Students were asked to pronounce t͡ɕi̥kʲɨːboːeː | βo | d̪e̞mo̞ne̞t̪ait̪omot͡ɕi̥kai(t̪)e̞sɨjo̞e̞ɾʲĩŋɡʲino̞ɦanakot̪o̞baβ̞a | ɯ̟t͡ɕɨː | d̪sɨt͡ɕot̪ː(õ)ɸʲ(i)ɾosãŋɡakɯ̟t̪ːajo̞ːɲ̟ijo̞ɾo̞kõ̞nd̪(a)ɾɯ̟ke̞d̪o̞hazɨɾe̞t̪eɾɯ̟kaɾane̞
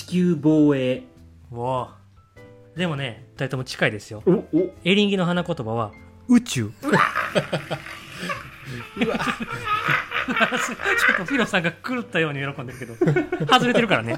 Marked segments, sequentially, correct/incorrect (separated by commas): incorrect, incorrect, correct, incorrect